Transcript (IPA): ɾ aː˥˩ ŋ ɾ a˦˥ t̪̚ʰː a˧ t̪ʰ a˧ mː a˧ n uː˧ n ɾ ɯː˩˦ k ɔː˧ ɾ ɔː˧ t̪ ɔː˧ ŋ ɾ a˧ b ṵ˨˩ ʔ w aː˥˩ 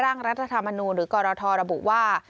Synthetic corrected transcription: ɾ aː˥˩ ŋ ɾ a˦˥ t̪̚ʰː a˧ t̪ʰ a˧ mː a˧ n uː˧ n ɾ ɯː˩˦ k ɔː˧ ɾ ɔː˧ t̪ʰ ɔː˧ ɾ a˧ b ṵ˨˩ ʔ w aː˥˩